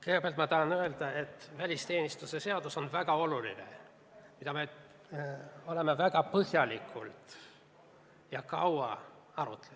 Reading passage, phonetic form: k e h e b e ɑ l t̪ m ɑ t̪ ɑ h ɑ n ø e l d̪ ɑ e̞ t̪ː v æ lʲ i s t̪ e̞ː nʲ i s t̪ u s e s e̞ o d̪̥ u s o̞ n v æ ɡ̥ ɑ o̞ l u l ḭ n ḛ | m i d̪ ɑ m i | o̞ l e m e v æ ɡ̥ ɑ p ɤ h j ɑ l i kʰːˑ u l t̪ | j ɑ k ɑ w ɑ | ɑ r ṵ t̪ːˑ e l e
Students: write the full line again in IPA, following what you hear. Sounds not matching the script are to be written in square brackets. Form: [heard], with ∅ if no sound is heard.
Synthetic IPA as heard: k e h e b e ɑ l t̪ m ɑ t̪ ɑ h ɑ n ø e l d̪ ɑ e̞ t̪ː v æ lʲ i s t̪ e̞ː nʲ i s t̪ u s e s e̞ o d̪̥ u s o̞ n v æ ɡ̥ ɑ o̞ l u l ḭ n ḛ | m i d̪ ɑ m [e] | o̞ l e m e v æ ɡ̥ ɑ p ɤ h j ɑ l i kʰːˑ u l t̪ | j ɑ k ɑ w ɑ | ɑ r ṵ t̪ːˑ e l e